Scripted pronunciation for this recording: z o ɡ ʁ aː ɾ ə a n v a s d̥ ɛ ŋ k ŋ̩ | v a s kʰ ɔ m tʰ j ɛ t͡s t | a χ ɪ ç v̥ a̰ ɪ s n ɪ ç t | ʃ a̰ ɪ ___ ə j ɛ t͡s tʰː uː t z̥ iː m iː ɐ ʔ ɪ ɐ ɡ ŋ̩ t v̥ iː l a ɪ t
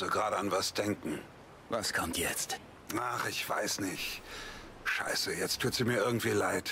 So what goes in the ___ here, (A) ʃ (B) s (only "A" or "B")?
B